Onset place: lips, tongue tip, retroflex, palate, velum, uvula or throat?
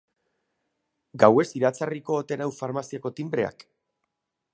velum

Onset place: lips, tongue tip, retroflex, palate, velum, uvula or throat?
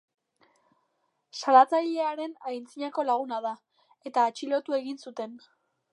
tongue tip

